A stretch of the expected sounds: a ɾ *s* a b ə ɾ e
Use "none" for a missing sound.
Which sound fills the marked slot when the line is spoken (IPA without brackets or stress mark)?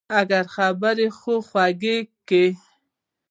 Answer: x